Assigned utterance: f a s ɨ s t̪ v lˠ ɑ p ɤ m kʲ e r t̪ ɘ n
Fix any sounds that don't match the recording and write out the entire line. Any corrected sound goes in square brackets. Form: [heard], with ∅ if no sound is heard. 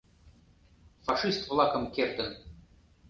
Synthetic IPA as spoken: f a [ʂ] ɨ s t̪ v lˠ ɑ [k] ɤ m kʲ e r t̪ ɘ n